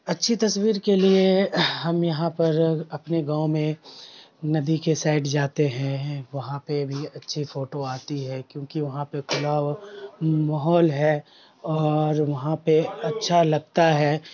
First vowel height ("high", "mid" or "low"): low